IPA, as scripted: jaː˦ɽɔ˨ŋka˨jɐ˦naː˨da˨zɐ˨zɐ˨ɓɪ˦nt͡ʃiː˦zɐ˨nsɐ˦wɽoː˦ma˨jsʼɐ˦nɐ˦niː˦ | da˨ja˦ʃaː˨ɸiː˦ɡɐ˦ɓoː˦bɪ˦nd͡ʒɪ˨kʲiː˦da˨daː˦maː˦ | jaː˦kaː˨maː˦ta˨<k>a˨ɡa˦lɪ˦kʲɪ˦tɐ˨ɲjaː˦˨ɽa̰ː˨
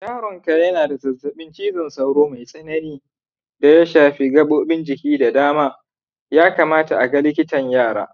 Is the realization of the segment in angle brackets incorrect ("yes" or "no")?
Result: yes